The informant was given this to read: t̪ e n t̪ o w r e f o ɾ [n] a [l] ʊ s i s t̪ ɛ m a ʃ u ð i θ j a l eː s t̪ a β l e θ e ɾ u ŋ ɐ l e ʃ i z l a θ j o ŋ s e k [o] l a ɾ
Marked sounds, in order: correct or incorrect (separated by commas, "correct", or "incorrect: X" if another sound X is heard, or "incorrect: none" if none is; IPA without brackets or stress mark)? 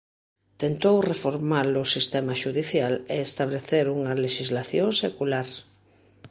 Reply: incorrect: m, correct, incorrect: u